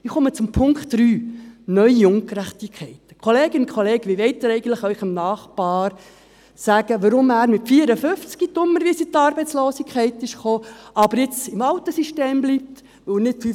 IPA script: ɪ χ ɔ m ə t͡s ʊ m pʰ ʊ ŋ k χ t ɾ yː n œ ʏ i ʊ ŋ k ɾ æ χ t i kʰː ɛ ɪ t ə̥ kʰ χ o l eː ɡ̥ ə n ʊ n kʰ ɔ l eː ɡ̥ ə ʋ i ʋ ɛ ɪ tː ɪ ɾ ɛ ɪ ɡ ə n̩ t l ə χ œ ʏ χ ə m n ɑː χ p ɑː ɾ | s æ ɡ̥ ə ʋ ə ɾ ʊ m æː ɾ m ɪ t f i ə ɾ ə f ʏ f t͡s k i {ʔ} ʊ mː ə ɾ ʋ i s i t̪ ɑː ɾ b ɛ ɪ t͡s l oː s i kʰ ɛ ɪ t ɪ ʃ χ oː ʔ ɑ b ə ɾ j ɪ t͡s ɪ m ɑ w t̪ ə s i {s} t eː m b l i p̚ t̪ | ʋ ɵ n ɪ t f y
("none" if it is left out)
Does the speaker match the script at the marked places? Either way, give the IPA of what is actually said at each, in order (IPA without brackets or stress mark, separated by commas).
t, ʃ